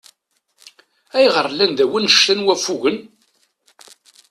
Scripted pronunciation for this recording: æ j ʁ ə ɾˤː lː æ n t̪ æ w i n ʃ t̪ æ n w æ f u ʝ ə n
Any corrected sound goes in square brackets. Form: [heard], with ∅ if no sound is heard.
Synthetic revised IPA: æ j ʁ ə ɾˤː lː æ n [d̪] æ w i n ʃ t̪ æ n w æ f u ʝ ə n